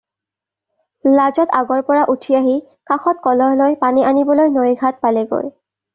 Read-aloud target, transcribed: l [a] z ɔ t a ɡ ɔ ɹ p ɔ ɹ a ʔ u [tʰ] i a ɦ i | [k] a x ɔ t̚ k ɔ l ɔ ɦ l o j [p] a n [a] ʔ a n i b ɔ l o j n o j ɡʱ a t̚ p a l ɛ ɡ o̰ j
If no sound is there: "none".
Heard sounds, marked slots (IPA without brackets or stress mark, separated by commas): a, tʰ, k, p, i